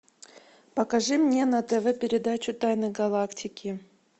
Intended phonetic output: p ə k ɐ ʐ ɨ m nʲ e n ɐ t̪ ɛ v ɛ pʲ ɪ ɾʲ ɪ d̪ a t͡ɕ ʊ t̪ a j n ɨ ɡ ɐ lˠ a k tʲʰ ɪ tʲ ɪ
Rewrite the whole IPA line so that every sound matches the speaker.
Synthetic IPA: p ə k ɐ ʐ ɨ m nʲ e n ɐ t̪ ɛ v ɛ pʲ ɪ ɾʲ ɪ d̪ a t͡ɕ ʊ t̪ a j n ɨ ɡ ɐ lˠ a k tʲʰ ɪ kʲ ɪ

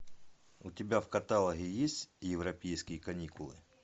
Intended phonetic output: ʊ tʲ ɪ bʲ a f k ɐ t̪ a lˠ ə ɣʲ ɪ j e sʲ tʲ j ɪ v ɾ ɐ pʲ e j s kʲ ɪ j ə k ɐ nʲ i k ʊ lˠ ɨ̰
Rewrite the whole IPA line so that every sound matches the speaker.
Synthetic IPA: ʊ tʲ ɪ bʲ a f k ɐ t̪ a lˠ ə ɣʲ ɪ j e sʲ tʲ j ɪ v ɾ ɐ pʲ e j s kʲ ɪ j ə k ɐ nʲ i k ʊ lˠ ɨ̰

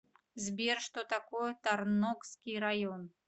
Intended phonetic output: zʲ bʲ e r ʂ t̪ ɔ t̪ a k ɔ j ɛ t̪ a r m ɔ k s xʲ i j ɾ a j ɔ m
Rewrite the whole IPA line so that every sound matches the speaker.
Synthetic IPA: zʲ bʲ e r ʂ t̪ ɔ t̪ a k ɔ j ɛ t̪ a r n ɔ k s kʲ i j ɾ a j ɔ n

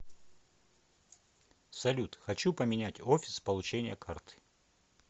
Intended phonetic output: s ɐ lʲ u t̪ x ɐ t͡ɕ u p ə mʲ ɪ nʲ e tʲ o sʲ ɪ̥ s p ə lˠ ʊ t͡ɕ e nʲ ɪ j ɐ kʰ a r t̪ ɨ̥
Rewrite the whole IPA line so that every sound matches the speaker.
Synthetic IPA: s ɐ lʲ u t̪ x ɐ t͡ɕ u p ə mʲ ɪ nʲ æ tʲ o fʲ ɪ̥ s p ə lˠ ʊ t͡ɕ e nʲ ɪ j ə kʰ a r t̪ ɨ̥

